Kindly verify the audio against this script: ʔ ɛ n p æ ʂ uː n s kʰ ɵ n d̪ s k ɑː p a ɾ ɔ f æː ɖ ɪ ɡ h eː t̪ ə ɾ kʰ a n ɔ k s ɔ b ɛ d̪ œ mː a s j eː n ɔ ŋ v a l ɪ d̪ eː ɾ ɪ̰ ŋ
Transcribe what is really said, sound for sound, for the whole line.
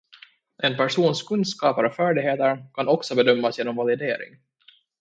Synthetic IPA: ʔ ɛ n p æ ʂ uː n s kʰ ɵ n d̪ s k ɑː p a ɾ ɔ f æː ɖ ɪ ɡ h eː t̪ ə ɾ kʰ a n ɔ k s ɔ b ɛ d̪ œ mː a s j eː n ɔ m v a l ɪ d̪ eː ɾ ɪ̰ ŋ